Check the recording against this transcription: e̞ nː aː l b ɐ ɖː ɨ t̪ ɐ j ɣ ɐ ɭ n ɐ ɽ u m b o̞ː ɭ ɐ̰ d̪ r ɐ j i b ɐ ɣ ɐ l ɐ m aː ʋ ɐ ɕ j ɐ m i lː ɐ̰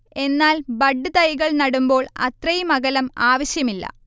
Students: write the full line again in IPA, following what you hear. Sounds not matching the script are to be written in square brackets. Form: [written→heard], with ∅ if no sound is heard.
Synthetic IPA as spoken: e̞ nː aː l b ɐ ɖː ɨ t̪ ɐ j ɣ ɐ ɭ n ɐ ɽ u m b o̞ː ɭ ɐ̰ [d̪→t̪] r ɐ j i [b→m] ɐ ɣ ɐ l ɐ m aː ʋ ɐ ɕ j ɐ m i lː ɐ̰